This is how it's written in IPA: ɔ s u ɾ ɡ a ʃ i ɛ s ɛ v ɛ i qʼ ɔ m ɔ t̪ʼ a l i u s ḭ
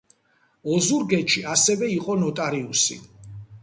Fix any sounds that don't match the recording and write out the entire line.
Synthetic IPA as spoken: ɔ z u ɾ ɡ ɛ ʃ i a s ɛ v ɛ i qʼ ɔ n ɔ t̪ʼ a ɾ i u s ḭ